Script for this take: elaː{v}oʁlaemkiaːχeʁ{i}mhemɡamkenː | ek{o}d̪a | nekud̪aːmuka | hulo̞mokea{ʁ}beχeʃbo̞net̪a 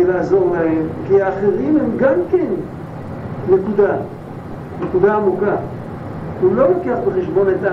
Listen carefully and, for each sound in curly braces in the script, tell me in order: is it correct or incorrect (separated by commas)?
incorrect, correct, incorrect, incorrect